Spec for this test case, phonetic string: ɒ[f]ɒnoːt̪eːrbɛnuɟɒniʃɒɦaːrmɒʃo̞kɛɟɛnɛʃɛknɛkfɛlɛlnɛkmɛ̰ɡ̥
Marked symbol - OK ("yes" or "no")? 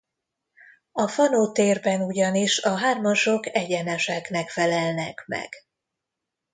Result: yes